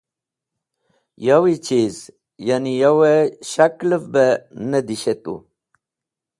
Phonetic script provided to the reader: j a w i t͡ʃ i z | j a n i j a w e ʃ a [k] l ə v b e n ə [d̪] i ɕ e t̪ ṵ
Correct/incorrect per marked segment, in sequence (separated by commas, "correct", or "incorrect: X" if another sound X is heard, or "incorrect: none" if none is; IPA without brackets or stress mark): correct, correct